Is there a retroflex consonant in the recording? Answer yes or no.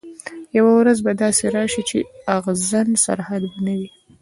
no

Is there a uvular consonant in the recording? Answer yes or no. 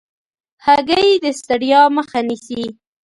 no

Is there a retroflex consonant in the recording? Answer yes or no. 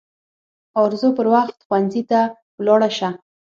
yes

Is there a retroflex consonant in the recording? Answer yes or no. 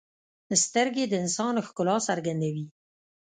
no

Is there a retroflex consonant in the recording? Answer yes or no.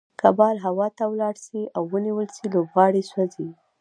yes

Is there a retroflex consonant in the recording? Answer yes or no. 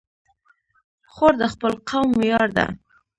no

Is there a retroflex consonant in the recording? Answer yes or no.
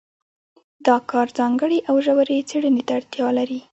yes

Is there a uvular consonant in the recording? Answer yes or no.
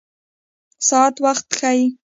yes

